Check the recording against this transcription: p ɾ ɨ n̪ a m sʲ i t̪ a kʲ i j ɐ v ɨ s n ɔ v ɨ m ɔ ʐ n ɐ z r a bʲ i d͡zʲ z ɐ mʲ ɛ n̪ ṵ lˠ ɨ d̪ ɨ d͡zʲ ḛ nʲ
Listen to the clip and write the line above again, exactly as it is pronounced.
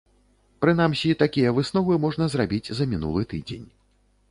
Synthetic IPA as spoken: p ɾ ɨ n̪ a m sʲ i t̪ a kʲ i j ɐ v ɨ s n ɔ v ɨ m ɔ ʐ n ɐ z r a bʲ i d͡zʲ z ɐ mʲ i n̪ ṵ lˠ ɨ t̪ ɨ d͡zʲ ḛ nʲ